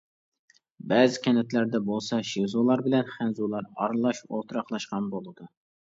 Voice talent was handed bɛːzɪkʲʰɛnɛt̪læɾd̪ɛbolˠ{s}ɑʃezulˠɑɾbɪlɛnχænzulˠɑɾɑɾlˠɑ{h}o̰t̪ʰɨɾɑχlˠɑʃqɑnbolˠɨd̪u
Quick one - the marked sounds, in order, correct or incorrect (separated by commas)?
correct, incorrect